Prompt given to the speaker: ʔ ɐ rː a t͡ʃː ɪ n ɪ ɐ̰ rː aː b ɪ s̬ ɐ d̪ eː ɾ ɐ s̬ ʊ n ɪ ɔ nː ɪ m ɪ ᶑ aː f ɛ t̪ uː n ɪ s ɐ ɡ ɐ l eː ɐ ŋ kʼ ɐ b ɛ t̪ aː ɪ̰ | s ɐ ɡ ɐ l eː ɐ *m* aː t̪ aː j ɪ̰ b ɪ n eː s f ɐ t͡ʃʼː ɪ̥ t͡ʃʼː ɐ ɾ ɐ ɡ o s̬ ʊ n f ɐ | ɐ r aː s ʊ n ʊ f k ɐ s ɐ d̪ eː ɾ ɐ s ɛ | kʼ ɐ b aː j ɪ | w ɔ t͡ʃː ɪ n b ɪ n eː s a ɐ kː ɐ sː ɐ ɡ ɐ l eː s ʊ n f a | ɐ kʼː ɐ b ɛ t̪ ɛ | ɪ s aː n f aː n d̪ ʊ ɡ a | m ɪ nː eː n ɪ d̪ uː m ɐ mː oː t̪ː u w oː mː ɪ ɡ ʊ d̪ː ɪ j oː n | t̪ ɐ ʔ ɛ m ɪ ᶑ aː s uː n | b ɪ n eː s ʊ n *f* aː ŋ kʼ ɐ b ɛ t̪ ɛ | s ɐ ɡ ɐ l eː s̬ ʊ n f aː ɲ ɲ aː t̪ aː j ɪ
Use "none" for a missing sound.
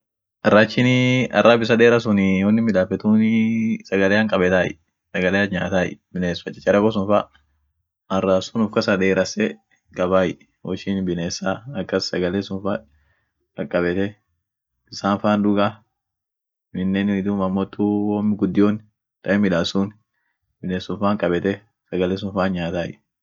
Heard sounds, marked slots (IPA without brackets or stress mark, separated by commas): ɲ, f